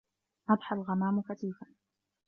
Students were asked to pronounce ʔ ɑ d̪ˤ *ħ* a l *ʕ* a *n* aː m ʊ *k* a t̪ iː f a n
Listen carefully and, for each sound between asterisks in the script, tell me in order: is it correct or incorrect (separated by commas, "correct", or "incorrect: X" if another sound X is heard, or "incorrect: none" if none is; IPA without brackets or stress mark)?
correct, incorrect: ɣ, incorrect: m, correct